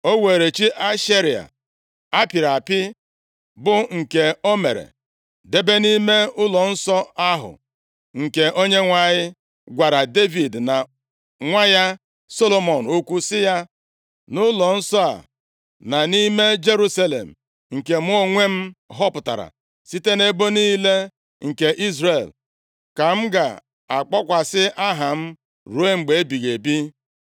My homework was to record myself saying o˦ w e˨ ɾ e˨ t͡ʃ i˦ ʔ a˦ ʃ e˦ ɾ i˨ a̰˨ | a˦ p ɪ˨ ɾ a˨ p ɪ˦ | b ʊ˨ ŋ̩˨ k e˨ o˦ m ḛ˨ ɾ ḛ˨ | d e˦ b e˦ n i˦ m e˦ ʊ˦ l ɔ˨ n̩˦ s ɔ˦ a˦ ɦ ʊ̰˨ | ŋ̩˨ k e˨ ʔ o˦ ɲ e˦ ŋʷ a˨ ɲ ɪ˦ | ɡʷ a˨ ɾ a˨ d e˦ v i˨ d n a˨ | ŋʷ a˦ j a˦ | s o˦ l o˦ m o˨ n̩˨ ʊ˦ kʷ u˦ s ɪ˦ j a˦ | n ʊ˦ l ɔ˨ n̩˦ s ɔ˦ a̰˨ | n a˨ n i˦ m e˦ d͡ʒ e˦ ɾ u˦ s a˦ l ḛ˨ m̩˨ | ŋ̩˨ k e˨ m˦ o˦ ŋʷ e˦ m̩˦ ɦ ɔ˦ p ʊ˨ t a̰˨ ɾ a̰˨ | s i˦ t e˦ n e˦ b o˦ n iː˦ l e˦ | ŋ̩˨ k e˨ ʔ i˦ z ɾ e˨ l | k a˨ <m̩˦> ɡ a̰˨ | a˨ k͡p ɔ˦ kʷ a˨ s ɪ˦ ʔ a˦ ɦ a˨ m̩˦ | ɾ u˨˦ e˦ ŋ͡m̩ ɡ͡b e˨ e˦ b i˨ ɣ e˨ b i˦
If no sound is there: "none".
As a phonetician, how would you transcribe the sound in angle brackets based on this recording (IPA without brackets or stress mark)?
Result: m̩˦